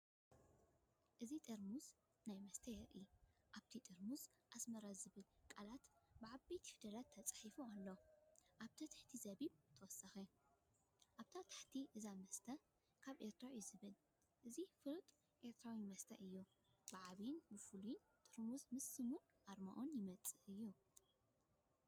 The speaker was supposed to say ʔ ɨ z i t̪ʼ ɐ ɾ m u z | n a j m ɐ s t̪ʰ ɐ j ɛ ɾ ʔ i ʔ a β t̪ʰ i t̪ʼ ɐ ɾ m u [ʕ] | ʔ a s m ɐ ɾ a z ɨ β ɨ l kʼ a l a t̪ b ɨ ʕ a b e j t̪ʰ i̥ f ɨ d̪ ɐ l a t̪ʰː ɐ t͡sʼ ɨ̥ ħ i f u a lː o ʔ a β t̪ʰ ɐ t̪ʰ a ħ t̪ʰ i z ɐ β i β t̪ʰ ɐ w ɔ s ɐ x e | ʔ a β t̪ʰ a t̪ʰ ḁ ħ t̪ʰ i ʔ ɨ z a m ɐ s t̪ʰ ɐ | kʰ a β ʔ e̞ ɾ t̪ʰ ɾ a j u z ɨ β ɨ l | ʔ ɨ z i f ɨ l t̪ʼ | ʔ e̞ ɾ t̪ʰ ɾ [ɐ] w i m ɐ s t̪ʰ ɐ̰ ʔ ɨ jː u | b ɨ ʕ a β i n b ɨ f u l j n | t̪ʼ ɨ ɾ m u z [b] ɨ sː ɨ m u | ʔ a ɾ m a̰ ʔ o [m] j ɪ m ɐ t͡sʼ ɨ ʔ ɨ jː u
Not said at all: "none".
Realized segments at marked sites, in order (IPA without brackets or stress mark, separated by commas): z, a, m, n